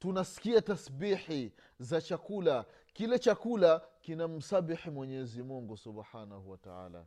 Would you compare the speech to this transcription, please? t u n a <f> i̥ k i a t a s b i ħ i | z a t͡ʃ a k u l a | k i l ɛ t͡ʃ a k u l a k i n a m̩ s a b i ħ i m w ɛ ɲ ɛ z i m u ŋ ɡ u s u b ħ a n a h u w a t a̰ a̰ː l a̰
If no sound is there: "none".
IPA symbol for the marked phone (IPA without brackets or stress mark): s